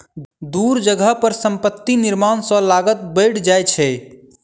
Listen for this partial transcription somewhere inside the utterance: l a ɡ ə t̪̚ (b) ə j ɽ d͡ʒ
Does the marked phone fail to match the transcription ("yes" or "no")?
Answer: no